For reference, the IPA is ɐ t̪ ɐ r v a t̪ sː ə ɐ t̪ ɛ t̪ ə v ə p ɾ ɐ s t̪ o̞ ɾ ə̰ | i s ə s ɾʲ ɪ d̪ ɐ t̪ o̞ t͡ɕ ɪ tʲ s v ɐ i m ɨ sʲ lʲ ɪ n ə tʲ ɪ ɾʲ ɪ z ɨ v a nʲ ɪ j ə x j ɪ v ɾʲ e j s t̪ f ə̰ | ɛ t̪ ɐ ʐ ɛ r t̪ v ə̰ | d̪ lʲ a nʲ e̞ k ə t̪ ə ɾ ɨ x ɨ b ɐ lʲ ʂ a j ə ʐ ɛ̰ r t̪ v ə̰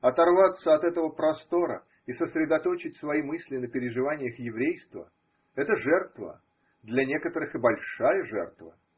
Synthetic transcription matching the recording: ɐ t̪ ɐ r v a t̪ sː ə ɐ t̪ ɛ t̪ ə v ə p ɾ ɐ s t̪ o̞ ɾ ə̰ | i s ə s ɾʲ ɪ d̪ ɐ t̪ o̞ t͡ɕ ɪ tʲ s v ɐ i m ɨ sʲ lʲ ɪ n ə pʲ ɪ ɾʲ ɪ ʐ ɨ v a nʲ ɪ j ə x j ɪ v ɾʲ e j s t̪ v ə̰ | ɛ t̪ ə ʐ ɛ r t̪ v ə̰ | d̪ lʲ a nʲ e̞ k ə t̪ ə ɾ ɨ x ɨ b ɐ lʲ ʂ a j ə ʐ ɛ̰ r t̪ v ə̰